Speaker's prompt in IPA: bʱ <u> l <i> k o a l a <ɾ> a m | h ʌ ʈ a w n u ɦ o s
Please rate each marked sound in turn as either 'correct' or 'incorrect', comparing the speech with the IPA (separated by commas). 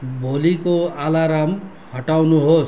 incorrect, correct, correct